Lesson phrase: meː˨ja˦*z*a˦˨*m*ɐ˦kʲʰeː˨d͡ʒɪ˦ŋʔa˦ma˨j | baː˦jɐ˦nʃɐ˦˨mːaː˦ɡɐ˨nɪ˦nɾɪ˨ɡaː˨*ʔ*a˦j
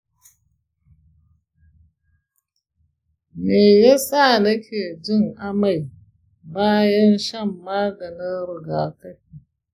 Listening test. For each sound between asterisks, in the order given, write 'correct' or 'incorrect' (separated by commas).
incorrect, incorrect, incorrect